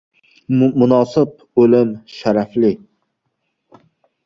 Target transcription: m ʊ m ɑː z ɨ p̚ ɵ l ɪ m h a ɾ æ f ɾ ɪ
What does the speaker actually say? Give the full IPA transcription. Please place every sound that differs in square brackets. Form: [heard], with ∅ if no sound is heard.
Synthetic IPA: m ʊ [n] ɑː [s] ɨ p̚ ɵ l ɪ m [ʃ] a ɾ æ f [l] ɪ